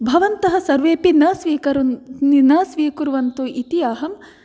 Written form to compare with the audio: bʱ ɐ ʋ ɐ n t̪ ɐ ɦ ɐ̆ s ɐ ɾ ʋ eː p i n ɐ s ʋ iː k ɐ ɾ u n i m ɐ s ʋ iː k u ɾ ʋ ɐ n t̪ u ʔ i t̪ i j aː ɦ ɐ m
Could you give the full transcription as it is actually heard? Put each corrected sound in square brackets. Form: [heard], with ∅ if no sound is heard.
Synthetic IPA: bʱ ɐ ʋ ɐ n t̪ ɐ ɦ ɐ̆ s ɐ ɾ ʋ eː p i n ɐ s ʋ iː k ɐ ɾ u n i [n] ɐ s ʋ iː k u ɾ ʋ ɐ n t̪ u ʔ i t̪ i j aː ɦ ɐ m